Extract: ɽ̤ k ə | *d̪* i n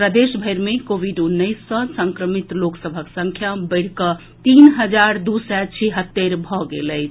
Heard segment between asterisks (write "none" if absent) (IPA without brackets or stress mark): t̪